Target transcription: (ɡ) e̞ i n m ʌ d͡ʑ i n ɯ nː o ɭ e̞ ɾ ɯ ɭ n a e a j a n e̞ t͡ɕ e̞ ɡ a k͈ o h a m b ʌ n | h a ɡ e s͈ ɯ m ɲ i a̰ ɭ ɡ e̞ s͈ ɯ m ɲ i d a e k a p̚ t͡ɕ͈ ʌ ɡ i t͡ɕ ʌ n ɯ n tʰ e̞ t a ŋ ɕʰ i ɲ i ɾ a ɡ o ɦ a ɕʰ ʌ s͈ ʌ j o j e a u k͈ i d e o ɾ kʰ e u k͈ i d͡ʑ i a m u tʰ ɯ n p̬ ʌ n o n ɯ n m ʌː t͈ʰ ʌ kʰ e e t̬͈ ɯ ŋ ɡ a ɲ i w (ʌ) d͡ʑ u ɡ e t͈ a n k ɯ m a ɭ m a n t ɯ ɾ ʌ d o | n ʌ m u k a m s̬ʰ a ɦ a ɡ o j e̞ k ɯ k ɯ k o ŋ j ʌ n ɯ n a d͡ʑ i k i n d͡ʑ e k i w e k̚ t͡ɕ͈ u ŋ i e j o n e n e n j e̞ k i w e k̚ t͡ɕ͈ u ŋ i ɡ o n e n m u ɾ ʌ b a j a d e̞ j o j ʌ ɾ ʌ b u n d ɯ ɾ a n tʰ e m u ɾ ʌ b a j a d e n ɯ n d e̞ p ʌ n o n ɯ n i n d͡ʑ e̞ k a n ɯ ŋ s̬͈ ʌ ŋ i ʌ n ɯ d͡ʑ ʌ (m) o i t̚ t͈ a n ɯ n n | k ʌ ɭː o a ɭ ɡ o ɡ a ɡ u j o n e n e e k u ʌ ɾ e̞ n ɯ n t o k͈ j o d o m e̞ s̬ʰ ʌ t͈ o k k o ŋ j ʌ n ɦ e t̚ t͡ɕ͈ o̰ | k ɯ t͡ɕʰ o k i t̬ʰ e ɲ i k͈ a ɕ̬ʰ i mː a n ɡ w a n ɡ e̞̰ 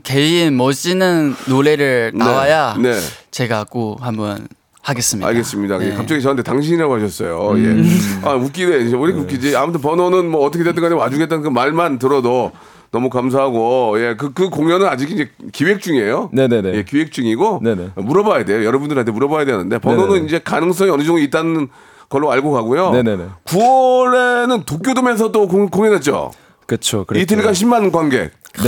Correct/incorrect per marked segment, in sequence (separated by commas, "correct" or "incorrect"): incorrect, incorrect, incorrect